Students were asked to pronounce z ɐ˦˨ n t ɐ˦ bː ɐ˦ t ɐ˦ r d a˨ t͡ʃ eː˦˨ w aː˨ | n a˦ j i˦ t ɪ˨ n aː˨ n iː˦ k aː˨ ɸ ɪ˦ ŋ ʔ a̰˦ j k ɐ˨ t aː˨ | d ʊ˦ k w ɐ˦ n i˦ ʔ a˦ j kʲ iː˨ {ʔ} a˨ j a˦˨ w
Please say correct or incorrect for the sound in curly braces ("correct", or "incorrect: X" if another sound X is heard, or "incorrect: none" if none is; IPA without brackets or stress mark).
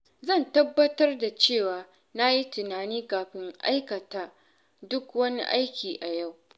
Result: correct